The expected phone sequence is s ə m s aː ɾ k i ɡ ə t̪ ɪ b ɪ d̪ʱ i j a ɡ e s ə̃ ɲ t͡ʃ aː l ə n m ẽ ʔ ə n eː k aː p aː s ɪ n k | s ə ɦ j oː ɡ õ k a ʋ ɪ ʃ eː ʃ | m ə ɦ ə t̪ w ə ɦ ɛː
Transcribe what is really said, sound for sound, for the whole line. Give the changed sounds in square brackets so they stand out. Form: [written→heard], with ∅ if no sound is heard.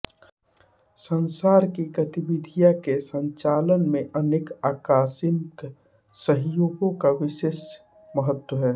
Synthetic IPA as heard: s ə [m→n] s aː ɾ k i ɡ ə t̪ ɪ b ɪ d̪ʱ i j a [ɡ→k] e s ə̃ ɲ t͡ʃ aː l ə n m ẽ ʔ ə n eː k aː [p→k] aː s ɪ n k | s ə ɦ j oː ɡ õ k a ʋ ɪ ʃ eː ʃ | m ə ɦ ə t̪ w ə ɦ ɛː